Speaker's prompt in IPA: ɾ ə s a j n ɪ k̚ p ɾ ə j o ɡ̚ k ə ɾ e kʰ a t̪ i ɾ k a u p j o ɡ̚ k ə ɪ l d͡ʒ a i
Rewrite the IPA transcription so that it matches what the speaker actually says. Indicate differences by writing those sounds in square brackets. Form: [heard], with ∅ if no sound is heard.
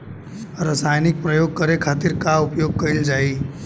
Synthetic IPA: ɾ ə s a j n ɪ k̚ p ɾ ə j o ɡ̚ k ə ɾ e kʰ a t̪ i ɾ k a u p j o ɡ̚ k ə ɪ l d͡ʒ a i